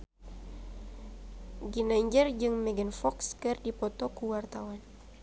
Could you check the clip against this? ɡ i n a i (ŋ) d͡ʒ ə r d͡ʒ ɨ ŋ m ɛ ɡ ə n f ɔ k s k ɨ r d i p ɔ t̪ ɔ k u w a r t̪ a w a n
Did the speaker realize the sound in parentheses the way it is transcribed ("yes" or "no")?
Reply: no